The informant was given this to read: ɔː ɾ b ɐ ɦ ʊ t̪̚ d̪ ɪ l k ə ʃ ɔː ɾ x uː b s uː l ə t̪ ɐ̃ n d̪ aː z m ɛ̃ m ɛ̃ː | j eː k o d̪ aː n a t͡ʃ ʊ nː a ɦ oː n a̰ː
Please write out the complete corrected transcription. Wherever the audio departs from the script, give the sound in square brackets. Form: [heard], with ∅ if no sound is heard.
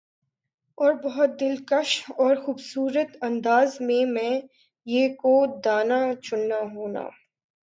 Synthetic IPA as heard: ɔː ɾ b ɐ ɦ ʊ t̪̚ d̪ ɪ l k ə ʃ ɔː ɾ x uː b s uː [ɾ] ə t̪ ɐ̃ n d̪ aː z m [ẽ] m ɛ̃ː | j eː k o d̪ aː n a t͡ʃ ʊ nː a ɦ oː n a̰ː

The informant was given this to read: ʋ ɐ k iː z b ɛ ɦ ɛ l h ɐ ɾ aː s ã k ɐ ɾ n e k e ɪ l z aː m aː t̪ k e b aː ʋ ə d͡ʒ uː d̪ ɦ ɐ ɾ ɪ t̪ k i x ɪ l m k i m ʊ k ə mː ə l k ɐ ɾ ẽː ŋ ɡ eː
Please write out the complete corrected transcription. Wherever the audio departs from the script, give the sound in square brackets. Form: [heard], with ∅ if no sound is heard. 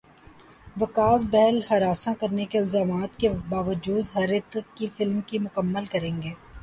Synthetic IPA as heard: ʋ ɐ k [aː] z b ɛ ɦ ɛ l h ɐ ɾ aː s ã k ɐ ɾ n e k e ɪ l z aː m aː t̪ k e b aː ʋ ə d͡ʒ uː d̪ ɦ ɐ ɾ ɪ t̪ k i [f] ɪ l m k i m ʊ k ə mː ə l k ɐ ɾ ẽː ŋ ɡ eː

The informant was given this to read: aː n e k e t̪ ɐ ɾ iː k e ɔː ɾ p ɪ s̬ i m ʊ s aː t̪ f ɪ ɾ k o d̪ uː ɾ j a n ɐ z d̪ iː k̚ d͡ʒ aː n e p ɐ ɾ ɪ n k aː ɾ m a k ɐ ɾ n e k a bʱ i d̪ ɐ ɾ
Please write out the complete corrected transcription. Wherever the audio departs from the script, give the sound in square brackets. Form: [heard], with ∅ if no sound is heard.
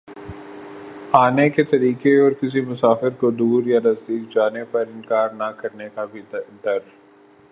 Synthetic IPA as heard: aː n e k e t̪ ɐ ɾ iː k e ɔː ɾ [k] ɪ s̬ i m ʊ s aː [∅] f ɪ ɾ k o d̪ uː ɾ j a n ɐ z d̪ iː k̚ d͡ʒ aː n e p ɐ ɾ ɪ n k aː ɾ [n] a k ɐ ɾ n e k a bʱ i d̪ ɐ ɾ

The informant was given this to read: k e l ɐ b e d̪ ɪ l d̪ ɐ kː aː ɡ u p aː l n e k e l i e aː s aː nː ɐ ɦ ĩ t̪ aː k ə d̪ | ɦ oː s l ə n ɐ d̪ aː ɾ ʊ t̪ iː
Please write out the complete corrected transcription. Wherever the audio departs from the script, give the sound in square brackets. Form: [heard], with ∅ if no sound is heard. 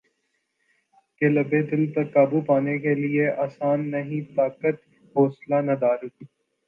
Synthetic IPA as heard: k e l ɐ b e d̪ ɪ l [t̪] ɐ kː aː [b] u p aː [∅] n e k e l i e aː s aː nː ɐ ɦ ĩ t̪ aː k ə [t̪] | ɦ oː s l [a] n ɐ d̪ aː ɾ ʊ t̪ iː

